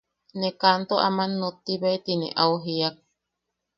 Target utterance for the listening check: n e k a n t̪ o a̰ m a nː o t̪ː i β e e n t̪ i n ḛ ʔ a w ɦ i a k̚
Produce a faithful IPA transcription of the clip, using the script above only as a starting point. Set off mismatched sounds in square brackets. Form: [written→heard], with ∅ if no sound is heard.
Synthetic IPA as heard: n e k a n t̪ o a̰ m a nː o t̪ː i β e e [n→∅] t̪ i n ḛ ʔ a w ɦ i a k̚